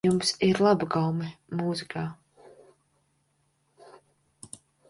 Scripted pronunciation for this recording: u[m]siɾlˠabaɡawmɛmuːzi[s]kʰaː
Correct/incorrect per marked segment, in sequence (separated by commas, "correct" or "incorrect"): correct, incorrect